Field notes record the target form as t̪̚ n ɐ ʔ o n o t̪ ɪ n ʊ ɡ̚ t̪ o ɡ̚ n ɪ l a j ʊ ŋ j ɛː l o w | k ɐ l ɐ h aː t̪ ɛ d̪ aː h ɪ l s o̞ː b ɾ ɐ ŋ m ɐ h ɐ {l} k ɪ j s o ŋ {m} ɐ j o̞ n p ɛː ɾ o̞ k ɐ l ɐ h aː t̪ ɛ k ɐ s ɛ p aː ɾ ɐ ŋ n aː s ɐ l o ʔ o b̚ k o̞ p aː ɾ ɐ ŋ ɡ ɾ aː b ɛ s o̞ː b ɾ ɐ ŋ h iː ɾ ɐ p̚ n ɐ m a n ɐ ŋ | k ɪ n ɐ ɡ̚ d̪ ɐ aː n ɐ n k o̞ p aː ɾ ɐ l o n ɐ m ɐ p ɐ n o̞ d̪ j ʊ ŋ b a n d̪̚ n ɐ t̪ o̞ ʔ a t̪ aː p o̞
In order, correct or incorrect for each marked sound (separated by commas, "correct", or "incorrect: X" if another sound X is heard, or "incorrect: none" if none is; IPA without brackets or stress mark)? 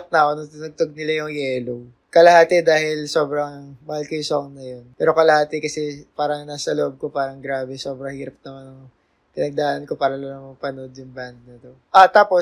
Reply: correct, incorrect: n